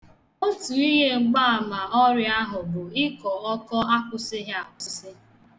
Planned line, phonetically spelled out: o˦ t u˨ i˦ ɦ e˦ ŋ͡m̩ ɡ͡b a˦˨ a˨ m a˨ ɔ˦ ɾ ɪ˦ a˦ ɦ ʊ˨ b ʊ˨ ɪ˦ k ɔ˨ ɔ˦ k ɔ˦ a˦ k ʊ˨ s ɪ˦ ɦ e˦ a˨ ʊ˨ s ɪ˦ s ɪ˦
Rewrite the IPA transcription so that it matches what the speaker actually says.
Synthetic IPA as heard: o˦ t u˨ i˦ ɦ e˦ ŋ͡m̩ ɡ͡b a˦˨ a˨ m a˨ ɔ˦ ɾ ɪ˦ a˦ ɦ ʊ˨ b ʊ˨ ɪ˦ k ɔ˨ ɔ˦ k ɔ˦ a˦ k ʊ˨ s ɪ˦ ɦ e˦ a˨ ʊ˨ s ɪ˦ s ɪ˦